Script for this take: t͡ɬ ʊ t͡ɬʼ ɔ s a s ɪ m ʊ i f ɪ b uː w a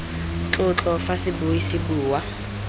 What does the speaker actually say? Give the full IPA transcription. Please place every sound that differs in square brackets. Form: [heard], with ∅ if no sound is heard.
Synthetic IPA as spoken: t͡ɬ ʊ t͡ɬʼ ɔ [f] a s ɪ [b] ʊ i [s] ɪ b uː w a